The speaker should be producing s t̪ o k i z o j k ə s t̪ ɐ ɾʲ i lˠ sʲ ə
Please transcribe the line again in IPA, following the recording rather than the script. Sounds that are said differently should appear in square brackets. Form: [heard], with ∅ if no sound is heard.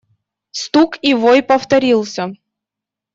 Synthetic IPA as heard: s t̪ [u] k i [v] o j [p] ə [f] t̪ ɐ ɾʲ i lˠ sʲ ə

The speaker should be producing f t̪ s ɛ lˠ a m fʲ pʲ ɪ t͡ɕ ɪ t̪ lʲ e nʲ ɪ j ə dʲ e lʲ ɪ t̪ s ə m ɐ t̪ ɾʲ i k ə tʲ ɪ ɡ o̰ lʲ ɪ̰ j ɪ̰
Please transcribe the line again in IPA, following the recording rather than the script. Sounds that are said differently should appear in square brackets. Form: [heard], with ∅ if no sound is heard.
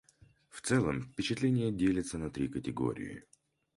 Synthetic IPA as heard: f t̪ s ɛ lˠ [ə] m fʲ pʲ ɪ t͡ɕ ɪ t̪ lʲ e nʲ ɪ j ə dʲ e lʲ ɪ t̪ s ə [n] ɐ t̪ ɾʲ i k ə tʲ ɪ ɡ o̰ [ɾʲ] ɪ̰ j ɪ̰

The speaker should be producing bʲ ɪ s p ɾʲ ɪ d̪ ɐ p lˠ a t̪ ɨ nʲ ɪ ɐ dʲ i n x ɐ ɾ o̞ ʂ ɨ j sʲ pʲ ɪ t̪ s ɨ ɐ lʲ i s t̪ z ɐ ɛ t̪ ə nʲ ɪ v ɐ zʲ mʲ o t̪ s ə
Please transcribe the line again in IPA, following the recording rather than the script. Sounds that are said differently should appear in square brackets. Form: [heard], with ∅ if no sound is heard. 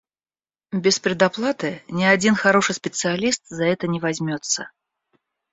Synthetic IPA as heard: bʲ ɪ s p ɾʲ ɪ d̪ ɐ p lˠ a t̪ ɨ nʲ ɪ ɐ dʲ i n x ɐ ɾ o̞ ʂ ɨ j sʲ pʲ ɪ t̪ s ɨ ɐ lʲ i s t̪ z ɐ ɛ t̪ ə nʲ ɪ v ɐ zʲ mʲ o t̪ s ə

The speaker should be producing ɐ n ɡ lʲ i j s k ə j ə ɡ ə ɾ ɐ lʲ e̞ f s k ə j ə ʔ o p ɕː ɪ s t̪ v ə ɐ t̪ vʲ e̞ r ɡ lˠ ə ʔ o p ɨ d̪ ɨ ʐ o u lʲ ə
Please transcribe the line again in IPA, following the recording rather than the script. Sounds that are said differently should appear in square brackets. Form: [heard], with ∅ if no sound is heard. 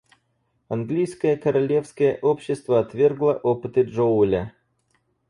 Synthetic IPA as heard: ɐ n ɡ lʲ i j s k ə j ə [k] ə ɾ ɐ lʲ e̞ f s k ə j ə ʔ o p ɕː ɪ s t̪ v ə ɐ t̪ vʲ e̞ r ɡ lˠ ə ʔ o p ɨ [t̪] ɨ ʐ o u lʲ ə

